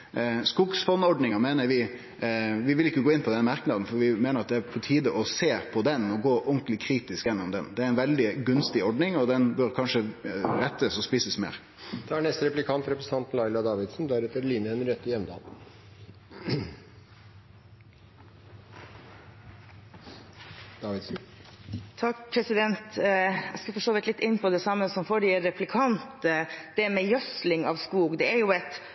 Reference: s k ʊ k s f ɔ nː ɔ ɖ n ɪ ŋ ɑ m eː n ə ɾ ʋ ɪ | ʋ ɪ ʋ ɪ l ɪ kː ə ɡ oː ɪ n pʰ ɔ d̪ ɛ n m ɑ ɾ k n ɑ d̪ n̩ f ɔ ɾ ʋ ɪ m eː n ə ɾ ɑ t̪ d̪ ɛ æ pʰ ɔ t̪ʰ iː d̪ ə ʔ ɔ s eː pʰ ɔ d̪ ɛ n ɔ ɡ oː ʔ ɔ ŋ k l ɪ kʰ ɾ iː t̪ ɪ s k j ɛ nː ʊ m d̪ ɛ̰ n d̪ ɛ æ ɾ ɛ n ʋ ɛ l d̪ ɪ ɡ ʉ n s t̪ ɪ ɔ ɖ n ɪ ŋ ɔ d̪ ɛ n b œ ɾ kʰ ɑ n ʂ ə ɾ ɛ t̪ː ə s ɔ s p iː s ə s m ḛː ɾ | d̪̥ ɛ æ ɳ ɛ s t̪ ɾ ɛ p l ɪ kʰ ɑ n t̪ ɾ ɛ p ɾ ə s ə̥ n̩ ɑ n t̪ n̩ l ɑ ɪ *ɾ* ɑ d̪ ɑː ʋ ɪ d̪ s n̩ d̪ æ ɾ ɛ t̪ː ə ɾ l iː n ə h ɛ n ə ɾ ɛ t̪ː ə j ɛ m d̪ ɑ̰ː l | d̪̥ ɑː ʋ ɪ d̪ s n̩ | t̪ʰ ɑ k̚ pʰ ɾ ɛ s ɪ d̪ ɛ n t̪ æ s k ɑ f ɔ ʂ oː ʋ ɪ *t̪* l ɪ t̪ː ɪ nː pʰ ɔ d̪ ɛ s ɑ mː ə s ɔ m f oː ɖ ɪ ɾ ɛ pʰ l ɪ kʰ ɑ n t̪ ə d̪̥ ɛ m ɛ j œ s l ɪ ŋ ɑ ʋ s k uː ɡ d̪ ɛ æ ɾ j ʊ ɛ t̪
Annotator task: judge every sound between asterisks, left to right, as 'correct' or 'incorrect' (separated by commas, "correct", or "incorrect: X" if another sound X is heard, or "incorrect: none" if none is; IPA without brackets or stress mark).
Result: incorrect: l, correct